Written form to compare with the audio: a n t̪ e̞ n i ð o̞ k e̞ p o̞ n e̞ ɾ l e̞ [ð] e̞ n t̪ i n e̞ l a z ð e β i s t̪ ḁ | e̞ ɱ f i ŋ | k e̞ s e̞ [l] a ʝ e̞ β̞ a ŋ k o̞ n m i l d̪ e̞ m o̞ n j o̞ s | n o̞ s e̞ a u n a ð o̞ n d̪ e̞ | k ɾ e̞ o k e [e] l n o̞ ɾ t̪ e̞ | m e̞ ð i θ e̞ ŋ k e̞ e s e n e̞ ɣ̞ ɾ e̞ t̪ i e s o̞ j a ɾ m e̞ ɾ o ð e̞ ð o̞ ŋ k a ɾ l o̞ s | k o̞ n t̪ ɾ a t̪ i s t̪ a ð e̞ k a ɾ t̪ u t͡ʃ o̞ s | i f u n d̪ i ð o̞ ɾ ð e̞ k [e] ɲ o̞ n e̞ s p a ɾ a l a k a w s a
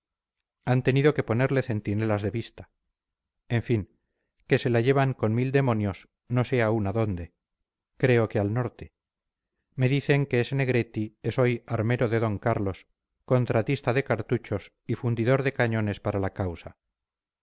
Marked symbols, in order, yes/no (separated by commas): no, yes, no, no